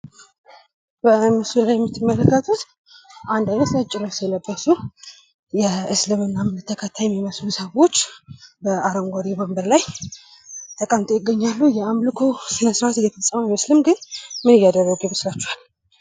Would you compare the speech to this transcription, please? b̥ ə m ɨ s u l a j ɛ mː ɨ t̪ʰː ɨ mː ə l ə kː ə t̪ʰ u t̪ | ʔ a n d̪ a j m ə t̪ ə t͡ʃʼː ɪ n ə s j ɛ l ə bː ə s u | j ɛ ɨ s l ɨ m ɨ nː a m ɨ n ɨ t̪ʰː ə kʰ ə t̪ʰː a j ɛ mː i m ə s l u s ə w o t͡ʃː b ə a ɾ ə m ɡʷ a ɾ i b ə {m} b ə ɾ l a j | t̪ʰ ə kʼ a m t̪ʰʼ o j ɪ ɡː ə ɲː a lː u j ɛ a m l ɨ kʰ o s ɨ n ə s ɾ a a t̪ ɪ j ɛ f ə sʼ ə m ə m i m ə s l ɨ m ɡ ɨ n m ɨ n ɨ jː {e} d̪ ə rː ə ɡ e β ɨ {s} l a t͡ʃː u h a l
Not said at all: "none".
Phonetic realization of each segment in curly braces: m, a, s

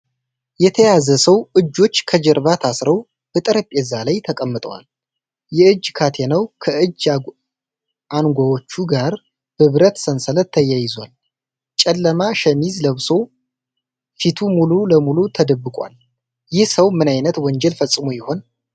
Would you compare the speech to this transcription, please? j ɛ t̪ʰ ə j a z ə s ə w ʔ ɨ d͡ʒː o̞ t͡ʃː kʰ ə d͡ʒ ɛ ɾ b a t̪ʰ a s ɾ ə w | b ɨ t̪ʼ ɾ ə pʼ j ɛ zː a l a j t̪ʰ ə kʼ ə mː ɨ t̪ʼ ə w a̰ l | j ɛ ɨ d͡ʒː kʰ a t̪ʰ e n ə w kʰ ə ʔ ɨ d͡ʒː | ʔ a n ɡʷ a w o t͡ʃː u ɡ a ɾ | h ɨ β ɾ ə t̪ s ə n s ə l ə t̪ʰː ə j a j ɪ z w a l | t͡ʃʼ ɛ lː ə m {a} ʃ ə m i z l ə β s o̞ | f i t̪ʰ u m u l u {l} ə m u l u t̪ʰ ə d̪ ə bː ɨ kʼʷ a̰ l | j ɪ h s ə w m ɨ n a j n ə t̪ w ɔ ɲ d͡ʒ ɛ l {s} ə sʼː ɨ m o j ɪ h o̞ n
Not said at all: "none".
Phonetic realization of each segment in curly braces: a, l, f

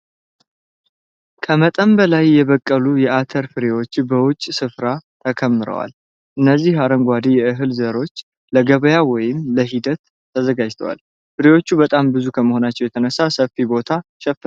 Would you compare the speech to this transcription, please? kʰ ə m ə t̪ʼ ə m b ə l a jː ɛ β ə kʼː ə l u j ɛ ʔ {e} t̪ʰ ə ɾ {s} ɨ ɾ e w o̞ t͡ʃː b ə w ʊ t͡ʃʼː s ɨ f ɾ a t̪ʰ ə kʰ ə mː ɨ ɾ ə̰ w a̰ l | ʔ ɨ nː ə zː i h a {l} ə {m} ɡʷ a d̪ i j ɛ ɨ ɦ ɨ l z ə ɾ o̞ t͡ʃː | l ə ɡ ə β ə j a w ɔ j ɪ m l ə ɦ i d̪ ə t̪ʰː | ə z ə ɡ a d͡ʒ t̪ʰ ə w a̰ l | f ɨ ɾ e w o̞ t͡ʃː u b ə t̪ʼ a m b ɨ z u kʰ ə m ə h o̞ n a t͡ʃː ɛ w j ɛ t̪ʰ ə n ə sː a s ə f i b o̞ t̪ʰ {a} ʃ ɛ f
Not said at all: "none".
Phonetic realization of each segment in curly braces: a, f, ɾ, ŋ, a

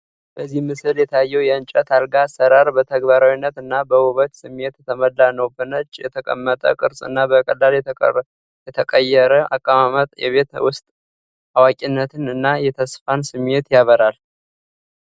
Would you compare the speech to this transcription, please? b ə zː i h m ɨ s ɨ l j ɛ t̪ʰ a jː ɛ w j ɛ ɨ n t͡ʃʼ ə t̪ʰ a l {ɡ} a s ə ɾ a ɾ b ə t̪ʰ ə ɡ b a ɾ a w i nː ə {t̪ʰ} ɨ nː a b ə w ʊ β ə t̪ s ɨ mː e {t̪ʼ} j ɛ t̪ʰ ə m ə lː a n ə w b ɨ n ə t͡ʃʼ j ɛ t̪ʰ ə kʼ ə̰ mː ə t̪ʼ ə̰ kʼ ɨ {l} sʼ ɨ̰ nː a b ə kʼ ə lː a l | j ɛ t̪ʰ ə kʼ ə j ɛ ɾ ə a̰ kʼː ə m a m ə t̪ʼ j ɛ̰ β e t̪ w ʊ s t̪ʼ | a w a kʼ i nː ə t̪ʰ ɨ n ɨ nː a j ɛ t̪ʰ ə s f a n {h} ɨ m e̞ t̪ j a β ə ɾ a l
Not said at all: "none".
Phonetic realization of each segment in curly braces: ɡ, t̪, t̪, ɾ, s

